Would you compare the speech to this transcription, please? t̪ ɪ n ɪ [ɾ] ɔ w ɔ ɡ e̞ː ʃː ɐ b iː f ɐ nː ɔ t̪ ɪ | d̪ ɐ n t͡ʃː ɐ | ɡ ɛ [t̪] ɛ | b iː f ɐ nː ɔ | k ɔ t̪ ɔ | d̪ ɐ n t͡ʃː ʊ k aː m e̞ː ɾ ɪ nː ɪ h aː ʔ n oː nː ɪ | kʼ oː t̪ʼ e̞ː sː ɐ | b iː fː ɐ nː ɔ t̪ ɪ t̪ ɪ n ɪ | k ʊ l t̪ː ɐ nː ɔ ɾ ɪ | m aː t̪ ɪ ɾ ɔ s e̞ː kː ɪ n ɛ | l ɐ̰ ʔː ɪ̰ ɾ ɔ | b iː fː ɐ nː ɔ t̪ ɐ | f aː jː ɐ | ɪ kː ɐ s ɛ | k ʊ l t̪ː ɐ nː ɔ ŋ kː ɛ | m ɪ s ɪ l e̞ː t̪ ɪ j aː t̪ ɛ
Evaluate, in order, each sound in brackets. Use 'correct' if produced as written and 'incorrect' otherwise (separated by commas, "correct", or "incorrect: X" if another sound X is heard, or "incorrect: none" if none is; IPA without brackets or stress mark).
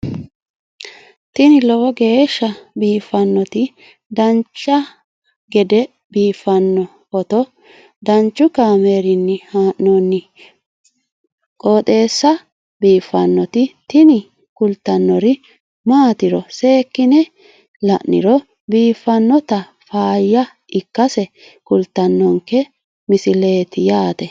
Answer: incorrect: l, incorrect: d̪